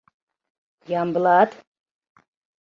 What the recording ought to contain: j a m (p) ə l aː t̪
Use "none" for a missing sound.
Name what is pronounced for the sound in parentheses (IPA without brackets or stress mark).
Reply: b